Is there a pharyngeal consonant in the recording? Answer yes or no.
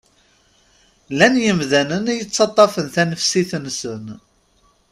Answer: no